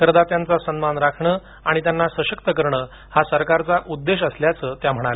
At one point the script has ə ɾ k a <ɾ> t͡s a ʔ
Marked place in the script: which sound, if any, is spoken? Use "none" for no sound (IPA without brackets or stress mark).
ɾ